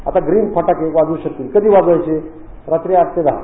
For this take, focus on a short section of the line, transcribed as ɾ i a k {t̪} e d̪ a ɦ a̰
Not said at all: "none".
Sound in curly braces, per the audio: t̪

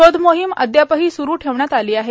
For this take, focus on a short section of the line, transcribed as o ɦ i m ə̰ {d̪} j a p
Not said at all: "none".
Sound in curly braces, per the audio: d̪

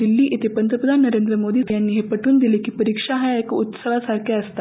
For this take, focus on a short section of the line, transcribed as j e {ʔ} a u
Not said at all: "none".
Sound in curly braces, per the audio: k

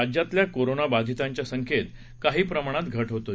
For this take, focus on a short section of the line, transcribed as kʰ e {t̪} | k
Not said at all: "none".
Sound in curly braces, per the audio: t̪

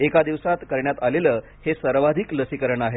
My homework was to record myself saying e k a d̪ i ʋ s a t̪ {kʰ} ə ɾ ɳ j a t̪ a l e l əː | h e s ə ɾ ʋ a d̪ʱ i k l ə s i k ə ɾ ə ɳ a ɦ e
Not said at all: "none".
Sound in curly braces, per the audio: k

